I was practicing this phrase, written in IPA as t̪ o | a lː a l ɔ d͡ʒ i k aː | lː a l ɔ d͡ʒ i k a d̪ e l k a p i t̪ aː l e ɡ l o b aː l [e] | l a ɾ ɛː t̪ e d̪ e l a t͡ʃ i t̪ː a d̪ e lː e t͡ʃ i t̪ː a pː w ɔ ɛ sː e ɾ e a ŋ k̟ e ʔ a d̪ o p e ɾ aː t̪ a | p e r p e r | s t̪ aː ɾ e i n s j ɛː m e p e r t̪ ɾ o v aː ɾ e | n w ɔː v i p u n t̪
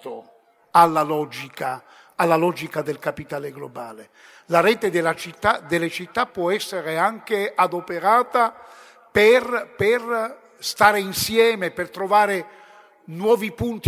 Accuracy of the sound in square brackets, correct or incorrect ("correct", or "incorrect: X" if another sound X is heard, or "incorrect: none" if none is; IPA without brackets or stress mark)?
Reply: correct